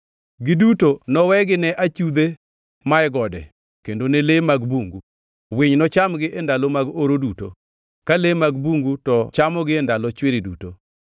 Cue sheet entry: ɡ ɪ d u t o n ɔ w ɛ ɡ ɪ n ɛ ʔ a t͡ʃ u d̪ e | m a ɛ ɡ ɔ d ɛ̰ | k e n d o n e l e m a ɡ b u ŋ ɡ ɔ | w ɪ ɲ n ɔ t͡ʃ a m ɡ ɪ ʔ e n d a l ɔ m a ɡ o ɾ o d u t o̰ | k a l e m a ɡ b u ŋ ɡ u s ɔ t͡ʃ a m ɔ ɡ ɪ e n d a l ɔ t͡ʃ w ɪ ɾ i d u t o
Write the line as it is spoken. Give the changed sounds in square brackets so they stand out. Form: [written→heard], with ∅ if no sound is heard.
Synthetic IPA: ɡ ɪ d u t o n ɔ w ɛ ɡ ɪ n ɛ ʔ a t͡ʃ u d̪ e | m a ɛ ɡ ɔ d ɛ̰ | k e n d o n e l e m a ɡ b u ŋ ɡ [ɔ→u] | w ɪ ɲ n ɔ t͡ʃ a m ɡ ɪ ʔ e n d a l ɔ m a ɡ o ɾ o d u t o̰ | k a l e m a ɡ b u ŋ ɡ u [s→t] ɔ t͡ʃ a m ɔ ɡ ɪ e n d a l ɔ t͡ʃ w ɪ ɾ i d u t o